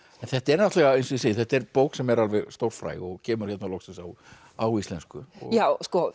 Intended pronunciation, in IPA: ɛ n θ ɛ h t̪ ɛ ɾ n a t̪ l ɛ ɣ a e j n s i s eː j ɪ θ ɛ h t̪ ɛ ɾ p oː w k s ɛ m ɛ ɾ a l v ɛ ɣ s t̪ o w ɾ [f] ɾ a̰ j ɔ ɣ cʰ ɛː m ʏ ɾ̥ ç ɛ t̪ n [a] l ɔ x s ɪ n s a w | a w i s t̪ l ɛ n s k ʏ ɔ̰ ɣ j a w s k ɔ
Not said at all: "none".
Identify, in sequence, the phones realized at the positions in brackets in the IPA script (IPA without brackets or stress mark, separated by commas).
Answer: f, a